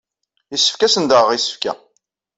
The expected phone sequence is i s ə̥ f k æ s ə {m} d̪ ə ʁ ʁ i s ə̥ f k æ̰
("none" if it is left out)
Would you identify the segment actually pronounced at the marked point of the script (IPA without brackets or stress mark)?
n